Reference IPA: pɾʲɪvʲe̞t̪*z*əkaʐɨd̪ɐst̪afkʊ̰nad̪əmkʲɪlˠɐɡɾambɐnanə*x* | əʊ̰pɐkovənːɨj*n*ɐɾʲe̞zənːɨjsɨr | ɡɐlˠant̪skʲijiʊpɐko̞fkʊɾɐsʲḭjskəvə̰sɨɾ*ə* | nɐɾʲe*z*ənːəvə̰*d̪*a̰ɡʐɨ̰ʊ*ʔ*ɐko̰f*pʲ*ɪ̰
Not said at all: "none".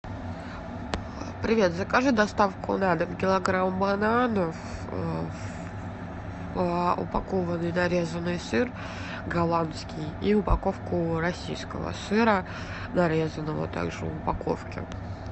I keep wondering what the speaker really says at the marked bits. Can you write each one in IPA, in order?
z, f, n, ə, z, t̪, p, kʲ

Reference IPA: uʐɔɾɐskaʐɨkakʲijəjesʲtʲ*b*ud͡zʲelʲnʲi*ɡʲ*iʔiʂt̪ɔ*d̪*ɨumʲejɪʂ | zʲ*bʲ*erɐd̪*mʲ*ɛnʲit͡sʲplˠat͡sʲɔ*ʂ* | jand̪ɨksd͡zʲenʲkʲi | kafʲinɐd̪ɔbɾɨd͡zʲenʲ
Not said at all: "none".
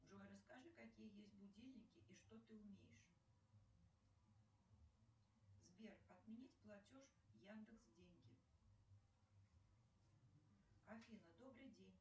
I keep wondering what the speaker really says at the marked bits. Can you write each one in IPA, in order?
b, kʲ, t̪, bʲ, mʲ, ʂ

